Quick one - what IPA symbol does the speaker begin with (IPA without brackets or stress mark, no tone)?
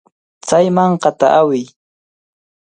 t͡s